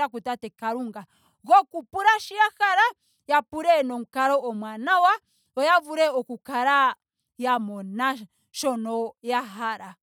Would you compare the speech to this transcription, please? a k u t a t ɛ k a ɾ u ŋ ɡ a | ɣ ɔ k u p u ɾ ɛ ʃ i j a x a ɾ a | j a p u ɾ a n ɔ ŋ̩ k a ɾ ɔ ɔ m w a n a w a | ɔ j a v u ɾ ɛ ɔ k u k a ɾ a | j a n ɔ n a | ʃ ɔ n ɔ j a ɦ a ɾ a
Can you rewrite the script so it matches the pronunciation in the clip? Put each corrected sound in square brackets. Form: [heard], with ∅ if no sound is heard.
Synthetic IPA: a k u t a t ɛ k a ɾ u ŋ ɡ a | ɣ ɔ k u p u ɾ [a] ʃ i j a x a ɾ a | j a p u ɾ [ɛ] n ɔ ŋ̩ k a ɾ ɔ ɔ m w a n a w a | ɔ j a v u ɾ ɛ ɔ k u k a ɾ a | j a [m] ɔ n a | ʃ ɔ n ɔ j a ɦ a ɾ a